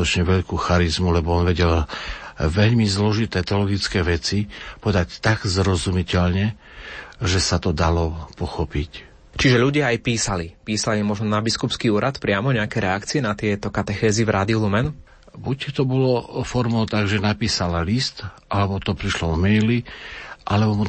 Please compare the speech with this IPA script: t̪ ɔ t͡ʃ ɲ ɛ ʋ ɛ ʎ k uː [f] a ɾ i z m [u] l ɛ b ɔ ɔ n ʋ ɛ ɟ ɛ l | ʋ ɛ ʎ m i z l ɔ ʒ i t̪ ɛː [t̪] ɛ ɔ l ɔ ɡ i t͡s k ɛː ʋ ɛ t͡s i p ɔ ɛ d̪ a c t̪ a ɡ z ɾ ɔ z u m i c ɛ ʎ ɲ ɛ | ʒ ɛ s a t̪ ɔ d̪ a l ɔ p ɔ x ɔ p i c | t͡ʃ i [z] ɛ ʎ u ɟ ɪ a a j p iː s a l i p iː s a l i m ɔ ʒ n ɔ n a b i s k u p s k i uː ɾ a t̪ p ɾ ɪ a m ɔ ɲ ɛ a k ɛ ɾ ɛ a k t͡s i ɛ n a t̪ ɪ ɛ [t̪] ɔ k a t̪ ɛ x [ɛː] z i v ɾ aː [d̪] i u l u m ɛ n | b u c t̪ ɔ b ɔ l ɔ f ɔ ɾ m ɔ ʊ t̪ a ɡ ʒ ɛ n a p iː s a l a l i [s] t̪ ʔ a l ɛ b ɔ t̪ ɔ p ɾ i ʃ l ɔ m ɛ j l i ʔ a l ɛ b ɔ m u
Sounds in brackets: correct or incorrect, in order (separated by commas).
incorrect, correct, correct, incorrect, correct, correct, correct, correct